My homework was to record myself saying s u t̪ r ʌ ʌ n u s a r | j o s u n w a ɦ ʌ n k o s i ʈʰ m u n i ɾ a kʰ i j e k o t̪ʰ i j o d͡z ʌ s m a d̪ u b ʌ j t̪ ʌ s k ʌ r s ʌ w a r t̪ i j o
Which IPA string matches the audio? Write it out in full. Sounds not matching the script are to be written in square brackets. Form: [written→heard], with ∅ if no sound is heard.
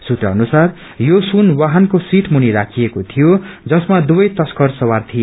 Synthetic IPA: s u t̪ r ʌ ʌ n u s a r | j o s u n w a ɦ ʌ n k o s i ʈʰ m u n i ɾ a kʰ i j e k o t̪ʰ i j o d͡z ʌ s m a d̪ u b ʌ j t̪ ʌ s k ʌ r s ʌ w a r [t̪→t̪ʰ] i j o

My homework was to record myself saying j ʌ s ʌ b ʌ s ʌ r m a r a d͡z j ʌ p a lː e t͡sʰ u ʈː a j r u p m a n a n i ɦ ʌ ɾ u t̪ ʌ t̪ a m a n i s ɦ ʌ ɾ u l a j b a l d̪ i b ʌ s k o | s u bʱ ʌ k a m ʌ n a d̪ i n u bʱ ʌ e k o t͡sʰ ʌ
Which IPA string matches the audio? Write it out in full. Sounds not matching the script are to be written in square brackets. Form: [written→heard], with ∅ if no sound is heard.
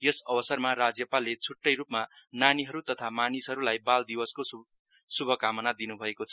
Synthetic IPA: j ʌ s ʌ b ʌ s ʌ r m a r a d͡z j ʌ p a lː e t͡sʰ u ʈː [a→ʌ] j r u p m a n a n i ɦ ʌ ɾ u t̪ ʌ [t̪→t̪ʰ] a m a n i s ɦ ʌ ɾ u l a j b a l d̪ i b ʌ s k o | s u bʱ ʌ k a m ʌ n a d̪ i n u bʱ ʌ e k o t͡sʰ ʌ

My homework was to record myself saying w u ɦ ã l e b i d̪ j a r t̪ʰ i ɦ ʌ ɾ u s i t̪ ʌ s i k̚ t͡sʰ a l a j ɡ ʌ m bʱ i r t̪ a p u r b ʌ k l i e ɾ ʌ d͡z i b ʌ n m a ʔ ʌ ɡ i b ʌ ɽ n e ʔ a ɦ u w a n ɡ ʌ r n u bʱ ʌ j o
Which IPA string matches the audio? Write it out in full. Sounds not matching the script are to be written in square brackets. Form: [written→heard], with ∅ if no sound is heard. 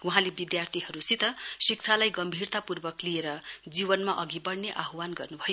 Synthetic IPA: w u ɦ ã l e b i d̪ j a r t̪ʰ i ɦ ʌ ɾ u s i t̪ ʌ s i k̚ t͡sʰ a l a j ɡ ʌ m bʱ i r t̪ a p u r b ʌ k l i e ɾ ʌ d͡z i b ʌ n m a ʔ ʌ ɡ i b ʌ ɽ n e ʔ a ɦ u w a n ɡ ʌ r n u bʱ ʌ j o

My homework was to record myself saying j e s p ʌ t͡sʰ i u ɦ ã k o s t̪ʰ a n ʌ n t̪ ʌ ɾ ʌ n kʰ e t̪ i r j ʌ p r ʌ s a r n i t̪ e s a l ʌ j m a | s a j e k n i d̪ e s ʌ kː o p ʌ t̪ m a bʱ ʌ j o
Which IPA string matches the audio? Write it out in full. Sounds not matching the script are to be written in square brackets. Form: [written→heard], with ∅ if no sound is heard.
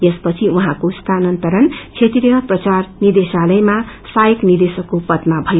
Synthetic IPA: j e s p ʌ t͡sʰ i u ɦ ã k o s t̪ʰ a n ʌ n t̪ ʌ ɾ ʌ n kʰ e t̪ i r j ʌ p r ʌ [s→t͡s] a r n i [t̪→d̪] e s a l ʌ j m a | s a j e k n i d̪ e s ʌ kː o p ʌ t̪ m a bʱ ʌ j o

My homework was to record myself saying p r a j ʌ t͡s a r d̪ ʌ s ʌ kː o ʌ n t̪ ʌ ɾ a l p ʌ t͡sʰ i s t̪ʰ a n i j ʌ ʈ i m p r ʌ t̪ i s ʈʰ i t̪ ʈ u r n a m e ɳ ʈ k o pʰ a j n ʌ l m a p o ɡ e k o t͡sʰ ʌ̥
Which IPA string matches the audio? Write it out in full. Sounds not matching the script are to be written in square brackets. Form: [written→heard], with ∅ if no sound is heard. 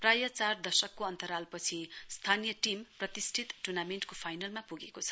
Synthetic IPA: p r a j ʌ t͡s a r d̪ ʌ s ʌ kː o ʌ n t̪ ʌ ɾ a l p ʌ t͡sʰ i s t̪ʰ a n i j ʌ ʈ i m p r ʌ t̪ i s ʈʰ i t̪ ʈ u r n a m e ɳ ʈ k o pʰ a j n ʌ l m a p [o→u] ɡ e k o t͡sʰ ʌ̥

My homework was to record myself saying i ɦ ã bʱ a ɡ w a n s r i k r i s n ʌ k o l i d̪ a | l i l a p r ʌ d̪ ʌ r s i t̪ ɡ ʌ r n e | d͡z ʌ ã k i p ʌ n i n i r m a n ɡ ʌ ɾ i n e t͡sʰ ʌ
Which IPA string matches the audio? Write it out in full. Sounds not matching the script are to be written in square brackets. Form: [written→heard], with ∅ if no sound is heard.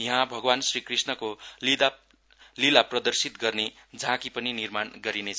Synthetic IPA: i ɦ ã bʱ [a→ʌ] ɡ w a n s r i k r i s n ʌ k o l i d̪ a | l i l a p r ʌ d̪ ʌ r s i t̪ ɡ ʌ r n e | d͡z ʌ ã k i p ʌ n i n i r m a n ɡ ʌ ɾ i n e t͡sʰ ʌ

